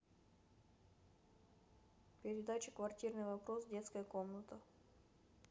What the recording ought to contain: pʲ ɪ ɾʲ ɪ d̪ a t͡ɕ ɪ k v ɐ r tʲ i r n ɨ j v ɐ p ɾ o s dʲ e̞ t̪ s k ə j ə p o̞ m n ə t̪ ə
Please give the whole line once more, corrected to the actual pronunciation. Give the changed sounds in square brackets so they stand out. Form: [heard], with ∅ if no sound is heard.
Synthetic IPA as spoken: pʲ ɪ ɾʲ ɪ d̪ a t͡ɕ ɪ k v ɐ r tʲ i r n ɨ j v ɐ p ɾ o s dʲ e̞ t̪ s k ə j ə [k] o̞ m n ə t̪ ə